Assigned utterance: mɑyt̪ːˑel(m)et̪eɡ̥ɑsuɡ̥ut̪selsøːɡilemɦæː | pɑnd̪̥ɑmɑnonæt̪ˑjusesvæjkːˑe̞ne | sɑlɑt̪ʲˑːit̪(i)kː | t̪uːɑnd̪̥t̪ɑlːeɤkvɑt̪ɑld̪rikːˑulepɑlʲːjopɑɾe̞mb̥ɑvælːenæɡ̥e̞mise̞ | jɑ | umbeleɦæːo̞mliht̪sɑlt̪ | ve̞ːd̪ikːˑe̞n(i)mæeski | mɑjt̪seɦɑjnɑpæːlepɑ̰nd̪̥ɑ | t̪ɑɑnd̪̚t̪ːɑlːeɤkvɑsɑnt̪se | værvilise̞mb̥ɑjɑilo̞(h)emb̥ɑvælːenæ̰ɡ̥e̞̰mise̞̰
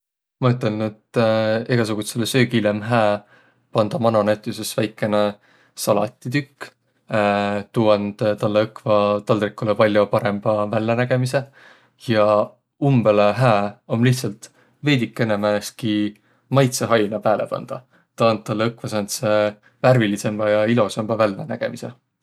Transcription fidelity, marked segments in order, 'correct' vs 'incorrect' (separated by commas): incorrect, incorrect, incorrect, incorrect